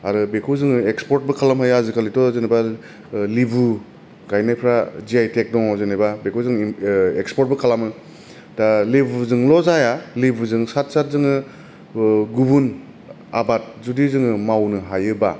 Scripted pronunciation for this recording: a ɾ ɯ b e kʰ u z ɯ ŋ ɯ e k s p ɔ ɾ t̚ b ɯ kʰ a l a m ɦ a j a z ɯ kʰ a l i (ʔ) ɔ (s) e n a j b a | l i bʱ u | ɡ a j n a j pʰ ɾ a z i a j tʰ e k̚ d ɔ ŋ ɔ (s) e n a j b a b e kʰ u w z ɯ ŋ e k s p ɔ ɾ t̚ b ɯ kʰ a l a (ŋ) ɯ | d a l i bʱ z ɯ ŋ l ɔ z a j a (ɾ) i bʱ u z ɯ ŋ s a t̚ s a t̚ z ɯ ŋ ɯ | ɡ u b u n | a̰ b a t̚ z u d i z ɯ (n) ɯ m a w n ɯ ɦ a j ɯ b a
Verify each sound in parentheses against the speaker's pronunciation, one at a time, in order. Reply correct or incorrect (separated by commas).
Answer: incorrect, incorrect, incorrect, incorrect, incorrect, incorrect